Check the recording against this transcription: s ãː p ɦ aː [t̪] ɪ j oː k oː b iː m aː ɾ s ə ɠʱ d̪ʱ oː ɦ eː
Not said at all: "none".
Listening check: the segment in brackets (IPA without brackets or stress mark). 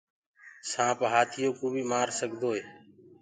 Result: t̪ʰ